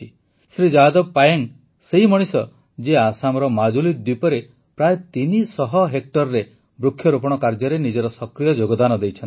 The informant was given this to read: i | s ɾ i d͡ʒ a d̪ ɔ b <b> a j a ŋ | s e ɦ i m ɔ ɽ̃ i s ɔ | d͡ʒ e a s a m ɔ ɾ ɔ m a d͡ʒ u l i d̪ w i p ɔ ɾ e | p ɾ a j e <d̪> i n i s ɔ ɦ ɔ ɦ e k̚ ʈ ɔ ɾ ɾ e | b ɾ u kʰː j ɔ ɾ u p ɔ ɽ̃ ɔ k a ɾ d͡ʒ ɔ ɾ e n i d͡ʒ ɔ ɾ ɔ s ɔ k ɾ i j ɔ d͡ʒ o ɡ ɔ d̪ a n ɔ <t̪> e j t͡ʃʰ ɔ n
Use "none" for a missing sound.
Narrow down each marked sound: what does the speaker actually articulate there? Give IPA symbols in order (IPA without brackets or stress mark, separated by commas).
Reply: p, t̪, d̪